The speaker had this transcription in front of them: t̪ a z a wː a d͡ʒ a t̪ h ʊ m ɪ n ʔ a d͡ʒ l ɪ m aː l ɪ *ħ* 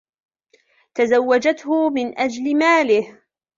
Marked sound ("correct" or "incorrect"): incorrect